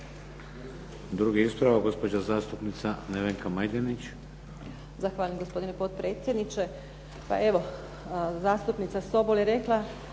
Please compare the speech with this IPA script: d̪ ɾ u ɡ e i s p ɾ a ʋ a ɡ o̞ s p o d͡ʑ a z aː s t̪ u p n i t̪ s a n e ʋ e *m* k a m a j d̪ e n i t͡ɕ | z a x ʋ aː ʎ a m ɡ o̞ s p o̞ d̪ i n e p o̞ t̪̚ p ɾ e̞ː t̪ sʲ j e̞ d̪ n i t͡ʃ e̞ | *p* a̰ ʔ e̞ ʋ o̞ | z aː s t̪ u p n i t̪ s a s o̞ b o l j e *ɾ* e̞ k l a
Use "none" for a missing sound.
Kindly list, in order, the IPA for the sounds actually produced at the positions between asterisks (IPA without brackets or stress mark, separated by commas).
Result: ŋ, p, ɾ